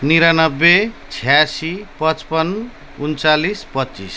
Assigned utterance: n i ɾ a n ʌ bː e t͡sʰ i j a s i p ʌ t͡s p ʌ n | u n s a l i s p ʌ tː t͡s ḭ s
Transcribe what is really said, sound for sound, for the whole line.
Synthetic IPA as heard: n i ɾ a n ʌ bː e t͡sʰ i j a s i p ʌ t͡s p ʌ n | u n t͡s a l i s p ʌ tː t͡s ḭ s

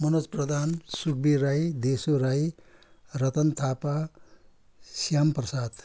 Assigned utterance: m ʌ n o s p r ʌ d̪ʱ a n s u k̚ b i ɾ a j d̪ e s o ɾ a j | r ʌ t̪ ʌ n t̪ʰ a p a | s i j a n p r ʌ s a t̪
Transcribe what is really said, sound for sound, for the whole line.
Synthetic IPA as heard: m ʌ n o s p r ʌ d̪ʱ a n s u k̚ b i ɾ a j d̪ e s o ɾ a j | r ʌ t̪ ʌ n t̪ʰ a p a | s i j a m p r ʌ s a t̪

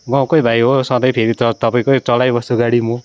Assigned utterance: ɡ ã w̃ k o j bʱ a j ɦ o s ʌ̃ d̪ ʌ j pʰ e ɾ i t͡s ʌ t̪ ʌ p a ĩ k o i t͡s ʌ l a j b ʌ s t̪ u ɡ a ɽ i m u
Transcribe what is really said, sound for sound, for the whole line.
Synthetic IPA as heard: ɡ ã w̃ k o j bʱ a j ɦ o s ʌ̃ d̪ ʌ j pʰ e ɾ i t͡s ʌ t̪ ʌ p a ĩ k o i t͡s ʌ l a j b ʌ s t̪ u ɡ a ɽ i m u

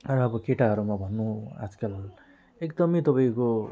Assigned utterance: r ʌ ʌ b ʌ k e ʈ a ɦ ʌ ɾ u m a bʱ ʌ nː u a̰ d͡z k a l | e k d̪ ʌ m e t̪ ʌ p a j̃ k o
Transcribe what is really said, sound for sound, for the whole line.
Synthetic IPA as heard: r ʌ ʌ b ʌ k e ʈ a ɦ ʌ ɾ u m a bʱ ʌ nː u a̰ d͡z k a l | e k d̪ ʌ m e t̪ ʌ p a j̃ k o

